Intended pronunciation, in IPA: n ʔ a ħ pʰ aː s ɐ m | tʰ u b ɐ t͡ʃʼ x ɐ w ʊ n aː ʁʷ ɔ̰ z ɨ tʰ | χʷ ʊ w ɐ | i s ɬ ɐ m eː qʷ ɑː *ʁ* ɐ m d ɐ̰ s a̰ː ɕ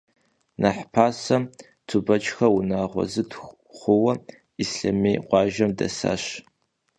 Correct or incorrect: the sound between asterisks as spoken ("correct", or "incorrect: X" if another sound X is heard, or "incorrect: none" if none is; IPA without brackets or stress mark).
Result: incorrect: ʒ